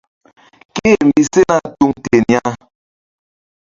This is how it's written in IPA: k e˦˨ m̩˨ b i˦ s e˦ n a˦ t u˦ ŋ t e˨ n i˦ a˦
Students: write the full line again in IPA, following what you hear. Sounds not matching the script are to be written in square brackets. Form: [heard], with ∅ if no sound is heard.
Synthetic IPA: k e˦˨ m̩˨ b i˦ s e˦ n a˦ t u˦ ŋ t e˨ n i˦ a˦